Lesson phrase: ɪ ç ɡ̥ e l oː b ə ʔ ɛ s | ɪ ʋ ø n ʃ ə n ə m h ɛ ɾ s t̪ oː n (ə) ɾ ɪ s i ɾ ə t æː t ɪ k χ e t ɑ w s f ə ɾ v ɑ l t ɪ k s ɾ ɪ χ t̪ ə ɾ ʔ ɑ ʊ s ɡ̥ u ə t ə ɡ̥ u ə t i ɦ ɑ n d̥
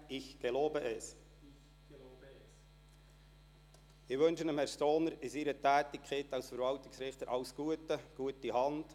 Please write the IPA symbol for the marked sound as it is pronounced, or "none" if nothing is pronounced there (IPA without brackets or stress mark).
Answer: ə